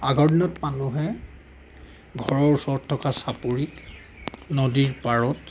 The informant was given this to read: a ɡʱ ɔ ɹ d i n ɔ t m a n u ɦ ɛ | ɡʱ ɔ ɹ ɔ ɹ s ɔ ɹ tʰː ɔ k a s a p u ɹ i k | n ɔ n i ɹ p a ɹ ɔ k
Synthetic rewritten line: a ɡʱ ɔ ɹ d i n ɔ t m a n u ɦ ɛ | ɡʱ ɔ ɹ ɔ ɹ s ɔ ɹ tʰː ɔ k a s a p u ɹ i k | n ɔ d i ɹ p a ɹ ɔ t